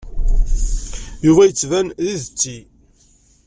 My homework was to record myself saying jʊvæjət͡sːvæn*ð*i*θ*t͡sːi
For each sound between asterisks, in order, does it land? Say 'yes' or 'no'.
yes, no

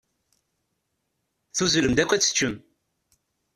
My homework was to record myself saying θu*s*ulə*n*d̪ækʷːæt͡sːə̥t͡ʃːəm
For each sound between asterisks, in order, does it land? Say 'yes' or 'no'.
no, no

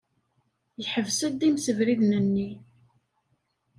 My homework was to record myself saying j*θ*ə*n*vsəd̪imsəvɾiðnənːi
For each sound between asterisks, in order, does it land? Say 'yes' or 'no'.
no, no

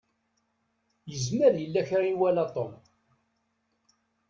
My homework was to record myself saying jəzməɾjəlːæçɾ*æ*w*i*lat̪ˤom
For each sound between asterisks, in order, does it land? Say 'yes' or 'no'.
no, no

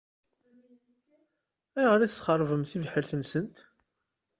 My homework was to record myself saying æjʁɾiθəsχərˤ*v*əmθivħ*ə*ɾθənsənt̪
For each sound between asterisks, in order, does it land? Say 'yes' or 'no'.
yes, yes

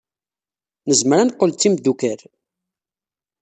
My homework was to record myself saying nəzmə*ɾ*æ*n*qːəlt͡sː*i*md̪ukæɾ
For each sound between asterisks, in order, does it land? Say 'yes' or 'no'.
yes, yes, yes

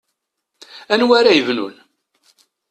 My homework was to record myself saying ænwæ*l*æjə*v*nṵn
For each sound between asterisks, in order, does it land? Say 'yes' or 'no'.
no, yes

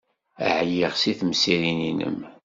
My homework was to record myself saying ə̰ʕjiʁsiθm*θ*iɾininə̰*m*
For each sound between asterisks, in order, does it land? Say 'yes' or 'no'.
no, yes

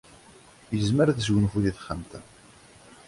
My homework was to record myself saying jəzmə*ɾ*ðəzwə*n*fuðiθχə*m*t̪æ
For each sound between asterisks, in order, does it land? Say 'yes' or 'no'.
yes, yes, yes

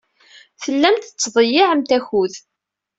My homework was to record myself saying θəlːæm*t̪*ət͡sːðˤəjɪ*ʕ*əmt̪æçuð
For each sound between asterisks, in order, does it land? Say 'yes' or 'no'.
yes, yes

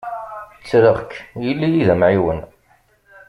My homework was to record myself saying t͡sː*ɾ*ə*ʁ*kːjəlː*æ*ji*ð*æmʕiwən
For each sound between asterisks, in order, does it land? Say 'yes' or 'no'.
yes, yes, no, yes

